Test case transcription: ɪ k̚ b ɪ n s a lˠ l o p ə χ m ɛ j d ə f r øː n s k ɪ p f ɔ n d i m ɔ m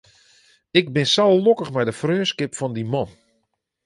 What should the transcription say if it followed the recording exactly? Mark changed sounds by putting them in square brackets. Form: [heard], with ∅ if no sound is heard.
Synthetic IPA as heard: ɪ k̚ b ɪ n s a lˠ l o [k] ə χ m ɛ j d ə f r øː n s k ɪ p f ɔ n d i m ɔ [n]